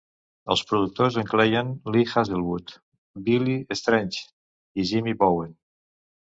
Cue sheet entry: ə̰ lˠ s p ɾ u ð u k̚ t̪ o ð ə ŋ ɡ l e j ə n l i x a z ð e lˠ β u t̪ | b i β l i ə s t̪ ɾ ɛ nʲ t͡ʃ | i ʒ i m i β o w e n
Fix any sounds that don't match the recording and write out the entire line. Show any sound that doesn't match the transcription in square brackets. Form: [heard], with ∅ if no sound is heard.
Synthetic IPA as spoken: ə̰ lˠ s p ɾ u ð u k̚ t̪ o [z] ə ŋ [k] l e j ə n l i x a z ð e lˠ β u t̪ | b i [∅] l i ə s t̪ ɾ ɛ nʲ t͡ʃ | i ʒ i m i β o w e n